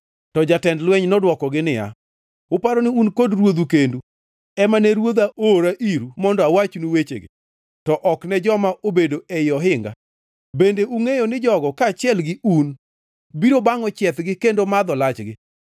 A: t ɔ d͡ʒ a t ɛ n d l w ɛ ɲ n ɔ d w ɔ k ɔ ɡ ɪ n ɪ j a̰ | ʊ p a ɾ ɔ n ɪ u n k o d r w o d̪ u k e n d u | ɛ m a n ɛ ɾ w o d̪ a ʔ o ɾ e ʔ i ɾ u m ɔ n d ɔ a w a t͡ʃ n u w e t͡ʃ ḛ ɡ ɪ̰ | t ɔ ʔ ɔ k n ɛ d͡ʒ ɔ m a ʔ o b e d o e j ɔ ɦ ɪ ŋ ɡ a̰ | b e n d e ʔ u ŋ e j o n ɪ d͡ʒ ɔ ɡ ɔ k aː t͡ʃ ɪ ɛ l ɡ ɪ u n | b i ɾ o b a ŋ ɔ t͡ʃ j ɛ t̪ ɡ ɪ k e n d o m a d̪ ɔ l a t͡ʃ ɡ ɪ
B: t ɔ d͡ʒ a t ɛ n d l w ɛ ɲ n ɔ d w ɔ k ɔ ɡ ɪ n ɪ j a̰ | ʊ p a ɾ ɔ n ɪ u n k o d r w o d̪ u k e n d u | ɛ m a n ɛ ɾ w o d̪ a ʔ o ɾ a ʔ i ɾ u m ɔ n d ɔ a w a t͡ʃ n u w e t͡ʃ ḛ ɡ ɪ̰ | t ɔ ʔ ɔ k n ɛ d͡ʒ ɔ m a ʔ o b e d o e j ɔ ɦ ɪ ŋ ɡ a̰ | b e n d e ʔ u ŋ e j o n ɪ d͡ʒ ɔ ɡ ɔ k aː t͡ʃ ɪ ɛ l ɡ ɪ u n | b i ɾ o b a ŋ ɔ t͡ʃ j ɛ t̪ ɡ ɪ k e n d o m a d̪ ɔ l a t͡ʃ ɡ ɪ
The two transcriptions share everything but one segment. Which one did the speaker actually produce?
B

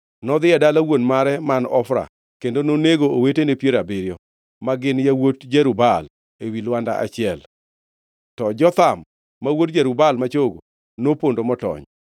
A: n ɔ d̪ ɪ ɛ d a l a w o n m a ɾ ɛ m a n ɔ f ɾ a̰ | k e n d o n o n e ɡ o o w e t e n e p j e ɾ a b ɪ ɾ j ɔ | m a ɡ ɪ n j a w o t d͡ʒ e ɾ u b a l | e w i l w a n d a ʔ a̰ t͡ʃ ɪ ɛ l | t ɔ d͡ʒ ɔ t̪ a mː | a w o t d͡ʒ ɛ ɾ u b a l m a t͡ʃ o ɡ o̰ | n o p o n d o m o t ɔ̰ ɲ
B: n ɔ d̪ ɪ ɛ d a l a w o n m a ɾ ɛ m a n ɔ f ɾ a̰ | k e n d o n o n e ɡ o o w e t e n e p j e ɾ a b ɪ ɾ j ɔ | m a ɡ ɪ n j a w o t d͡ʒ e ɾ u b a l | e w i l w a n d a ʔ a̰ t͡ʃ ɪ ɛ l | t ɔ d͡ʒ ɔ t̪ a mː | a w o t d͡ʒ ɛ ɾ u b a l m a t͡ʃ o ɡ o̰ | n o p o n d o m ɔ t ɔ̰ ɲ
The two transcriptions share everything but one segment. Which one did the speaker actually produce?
B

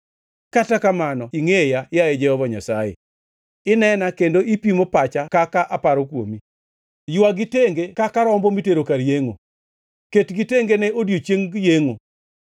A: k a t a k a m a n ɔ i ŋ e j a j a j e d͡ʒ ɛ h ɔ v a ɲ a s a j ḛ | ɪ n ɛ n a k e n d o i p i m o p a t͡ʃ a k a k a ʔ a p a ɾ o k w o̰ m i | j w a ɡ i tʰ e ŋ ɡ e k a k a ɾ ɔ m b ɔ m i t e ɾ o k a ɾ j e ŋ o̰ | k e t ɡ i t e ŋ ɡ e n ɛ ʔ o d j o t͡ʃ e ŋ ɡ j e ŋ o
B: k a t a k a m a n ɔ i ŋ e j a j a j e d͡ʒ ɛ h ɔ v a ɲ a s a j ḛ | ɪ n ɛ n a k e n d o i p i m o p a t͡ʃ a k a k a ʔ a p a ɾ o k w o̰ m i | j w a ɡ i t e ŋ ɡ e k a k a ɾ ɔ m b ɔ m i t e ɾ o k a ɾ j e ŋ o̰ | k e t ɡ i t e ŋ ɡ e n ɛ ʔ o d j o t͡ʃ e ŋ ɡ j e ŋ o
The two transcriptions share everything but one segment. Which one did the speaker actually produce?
B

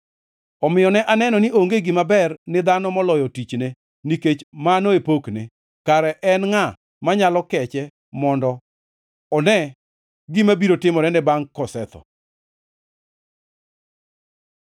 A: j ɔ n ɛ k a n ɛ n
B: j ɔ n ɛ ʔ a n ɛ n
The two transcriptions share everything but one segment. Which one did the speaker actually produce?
B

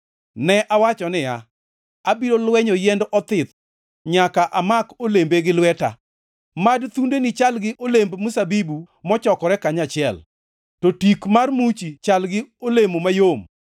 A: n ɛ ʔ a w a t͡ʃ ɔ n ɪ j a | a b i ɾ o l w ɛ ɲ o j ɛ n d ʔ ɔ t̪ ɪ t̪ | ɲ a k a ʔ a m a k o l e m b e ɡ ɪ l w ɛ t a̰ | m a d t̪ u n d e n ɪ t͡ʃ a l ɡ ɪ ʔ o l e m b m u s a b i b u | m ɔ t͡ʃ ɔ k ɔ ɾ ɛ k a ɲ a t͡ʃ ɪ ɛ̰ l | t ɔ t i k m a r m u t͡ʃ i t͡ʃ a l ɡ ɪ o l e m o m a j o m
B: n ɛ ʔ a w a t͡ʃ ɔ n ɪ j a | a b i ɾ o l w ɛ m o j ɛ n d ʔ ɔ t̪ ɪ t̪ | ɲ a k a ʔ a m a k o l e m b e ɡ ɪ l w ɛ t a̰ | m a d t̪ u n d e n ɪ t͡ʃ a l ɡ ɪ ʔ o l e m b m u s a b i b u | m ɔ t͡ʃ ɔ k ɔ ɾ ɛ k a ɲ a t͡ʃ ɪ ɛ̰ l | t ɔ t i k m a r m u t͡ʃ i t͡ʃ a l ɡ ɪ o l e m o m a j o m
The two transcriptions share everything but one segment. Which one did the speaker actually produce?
A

